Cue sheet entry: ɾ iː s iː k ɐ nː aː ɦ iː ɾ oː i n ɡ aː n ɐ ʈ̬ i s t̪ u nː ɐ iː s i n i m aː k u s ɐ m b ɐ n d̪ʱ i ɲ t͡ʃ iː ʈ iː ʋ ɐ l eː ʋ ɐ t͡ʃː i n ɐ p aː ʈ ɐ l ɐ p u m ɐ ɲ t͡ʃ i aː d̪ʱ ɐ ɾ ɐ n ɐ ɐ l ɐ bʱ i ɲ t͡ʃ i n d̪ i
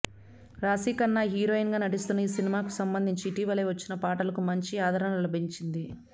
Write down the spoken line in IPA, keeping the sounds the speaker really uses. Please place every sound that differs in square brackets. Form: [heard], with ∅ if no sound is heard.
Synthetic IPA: ɾ [aː] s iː k ɐ nː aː ɦ iː ɾ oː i n ɡ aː n ɐ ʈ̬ i s t̪ u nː ɐ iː s i n i m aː k u s ɐ m b ɐ n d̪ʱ i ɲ t͡ʃ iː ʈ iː ʋ ɐ l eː ʋ ɐ t͡ʃː i n ɐ p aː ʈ ɐ l ɐ [k] u m ɐ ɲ t͡ʃ i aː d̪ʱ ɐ ɾ ɐ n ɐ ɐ l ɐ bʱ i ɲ t͡ʃ i n d̪ i